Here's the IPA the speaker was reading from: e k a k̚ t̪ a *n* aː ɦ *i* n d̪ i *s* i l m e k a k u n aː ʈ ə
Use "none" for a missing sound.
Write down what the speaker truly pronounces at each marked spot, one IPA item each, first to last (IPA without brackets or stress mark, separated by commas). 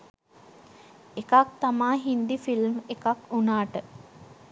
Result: m, i, f